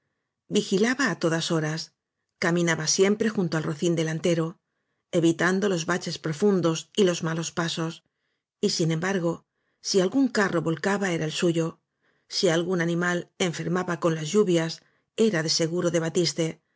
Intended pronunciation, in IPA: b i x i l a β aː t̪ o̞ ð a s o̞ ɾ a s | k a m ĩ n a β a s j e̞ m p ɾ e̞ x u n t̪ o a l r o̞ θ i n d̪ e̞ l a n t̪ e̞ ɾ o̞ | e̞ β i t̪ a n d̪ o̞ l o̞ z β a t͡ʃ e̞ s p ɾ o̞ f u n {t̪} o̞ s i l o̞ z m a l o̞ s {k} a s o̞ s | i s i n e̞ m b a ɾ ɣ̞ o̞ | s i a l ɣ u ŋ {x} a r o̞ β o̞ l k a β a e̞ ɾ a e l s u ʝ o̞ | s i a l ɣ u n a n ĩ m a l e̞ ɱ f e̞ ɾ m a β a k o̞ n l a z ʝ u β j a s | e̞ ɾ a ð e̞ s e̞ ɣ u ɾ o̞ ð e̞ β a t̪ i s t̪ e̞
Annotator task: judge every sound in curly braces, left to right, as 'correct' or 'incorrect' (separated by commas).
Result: incorrect, incorrect, incorrect